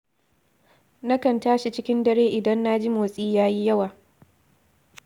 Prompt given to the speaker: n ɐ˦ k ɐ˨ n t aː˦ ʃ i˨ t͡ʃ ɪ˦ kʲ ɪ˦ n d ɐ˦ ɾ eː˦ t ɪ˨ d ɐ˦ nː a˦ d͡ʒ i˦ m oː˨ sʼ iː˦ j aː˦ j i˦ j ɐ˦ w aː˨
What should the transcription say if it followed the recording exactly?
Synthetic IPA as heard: n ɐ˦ k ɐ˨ n t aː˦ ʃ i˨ t͡ʃ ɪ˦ kʲ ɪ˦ n d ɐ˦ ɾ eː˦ ʔ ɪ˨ d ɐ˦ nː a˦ d͡ʒ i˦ m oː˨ sʼ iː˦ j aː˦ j i˦ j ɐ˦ w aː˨